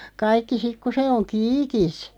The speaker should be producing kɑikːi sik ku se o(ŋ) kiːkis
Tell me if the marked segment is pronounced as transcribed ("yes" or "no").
yes